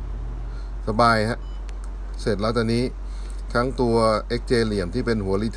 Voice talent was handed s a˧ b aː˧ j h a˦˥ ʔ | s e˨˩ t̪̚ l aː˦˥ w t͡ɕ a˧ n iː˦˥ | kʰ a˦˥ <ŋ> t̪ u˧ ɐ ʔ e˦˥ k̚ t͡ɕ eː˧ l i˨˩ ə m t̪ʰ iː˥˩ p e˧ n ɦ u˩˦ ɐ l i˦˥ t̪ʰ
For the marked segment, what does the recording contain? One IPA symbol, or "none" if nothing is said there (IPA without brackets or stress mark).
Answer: ŋ